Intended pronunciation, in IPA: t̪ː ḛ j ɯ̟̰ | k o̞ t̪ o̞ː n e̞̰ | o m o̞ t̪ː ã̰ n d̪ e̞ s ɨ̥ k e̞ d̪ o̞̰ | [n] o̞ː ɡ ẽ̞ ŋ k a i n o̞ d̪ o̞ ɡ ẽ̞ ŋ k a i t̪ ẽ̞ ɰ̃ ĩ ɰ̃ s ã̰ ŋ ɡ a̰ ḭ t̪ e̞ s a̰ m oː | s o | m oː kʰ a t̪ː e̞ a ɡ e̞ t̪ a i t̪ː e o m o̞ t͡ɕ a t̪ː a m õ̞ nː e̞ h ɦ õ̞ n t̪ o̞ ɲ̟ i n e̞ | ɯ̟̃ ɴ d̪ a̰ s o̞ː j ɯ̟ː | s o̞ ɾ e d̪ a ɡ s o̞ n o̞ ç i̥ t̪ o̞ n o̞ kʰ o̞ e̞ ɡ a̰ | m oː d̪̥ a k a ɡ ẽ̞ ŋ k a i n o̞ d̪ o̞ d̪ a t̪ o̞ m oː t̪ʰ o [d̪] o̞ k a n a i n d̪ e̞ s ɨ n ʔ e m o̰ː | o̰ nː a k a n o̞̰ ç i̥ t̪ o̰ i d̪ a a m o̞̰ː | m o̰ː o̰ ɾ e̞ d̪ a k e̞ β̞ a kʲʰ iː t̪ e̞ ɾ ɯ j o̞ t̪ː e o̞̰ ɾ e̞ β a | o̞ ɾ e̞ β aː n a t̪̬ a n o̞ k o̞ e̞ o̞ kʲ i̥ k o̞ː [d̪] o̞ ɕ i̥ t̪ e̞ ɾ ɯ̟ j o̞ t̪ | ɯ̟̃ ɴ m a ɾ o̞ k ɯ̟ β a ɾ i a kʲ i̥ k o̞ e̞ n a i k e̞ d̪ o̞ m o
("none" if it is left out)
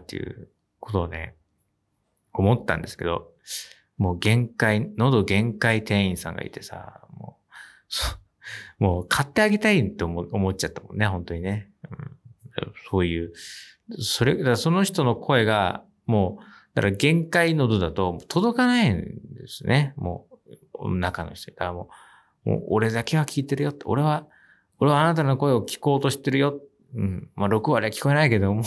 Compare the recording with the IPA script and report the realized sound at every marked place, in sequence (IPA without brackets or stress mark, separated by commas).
m, d̪, t̪